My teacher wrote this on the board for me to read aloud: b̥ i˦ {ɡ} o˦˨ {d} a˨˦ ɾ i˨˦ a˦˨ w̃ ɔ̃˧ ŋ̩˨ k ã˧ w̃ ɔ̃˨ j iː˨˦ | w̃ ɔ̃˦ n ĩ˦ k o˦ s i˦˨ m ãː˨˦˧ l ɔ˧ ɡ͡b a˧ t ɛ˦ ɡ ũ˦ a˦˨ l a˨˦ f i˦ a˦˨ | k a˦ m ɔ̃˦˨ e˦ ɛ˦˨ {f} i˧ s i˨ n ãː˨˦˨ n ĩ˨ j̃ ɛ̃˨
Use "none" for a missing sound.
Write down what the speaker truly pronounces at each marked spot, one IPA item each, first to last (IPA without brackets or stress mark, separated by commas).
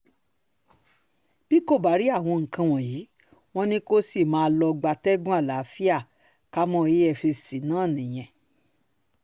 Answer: k, b, f